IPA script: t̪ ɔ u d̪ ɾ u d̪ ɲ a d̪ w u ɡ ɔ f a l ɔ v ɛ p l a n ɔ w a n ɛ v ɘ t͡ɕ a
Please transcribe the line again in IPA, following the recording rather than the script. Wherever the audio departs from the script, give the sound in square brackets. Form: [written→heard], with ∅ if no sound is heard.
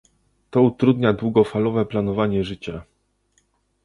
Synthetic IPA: t̪ ɔ u [d̪→t̪] ɾ u d̪ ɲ a d̪ w u ɡ ɔ f a l ɔ v ɛ p l a n ɔ [w→v] a [n→ɲ] ɛ [v→ʐ] ɘ t͡ɕ a